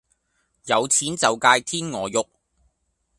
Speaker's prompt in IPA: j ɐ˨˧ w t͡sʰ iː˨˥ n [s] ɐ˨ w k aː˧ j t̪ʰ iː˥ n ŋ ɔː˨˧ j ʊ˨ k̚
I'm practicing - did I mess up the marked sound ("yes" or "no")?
yes